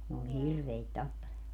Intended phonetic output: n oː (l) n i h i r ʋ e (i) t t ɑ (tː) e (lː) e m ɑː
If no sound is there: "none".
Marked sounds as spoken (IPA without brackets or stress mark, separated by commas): l, i, pː, l